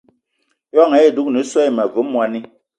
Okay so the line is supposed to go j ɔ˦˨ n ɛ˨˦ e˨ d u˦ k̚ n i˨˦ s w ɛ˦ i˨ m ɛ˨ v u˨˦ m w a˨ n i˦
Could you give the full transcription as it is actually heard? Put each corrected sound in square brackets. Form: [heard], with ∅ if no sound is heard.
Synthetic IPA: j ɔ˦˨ [ŋ] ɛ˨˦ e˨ d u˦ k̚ n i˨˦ s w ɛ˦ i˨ m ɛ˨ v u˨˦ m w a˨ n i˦